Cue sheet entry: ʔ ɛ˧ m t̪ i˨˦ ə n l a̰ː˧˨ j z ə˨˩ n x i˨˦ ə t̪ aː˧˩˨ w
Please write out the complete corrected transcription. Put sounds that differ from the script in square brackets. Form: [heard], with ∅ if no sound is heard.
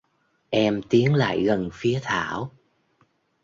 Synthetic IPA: ʔ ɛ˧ m t̪ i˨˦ ə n l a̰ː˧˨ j [ɣ] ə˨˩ n [f] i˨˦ ə [t̪ʰ] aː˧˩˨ w